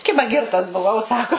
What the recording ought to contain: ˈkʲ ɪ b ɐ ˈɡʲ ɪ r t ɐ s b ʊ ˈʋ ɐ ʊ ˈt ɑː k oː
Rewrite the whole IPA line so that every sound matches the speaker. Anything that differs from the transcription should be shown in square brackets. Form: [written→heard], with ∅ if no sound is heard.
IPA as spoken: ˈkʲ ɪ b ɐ ˈɡʲ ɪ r t ɐ s b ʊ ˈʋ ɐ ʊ [ˈt→ˈs] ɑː k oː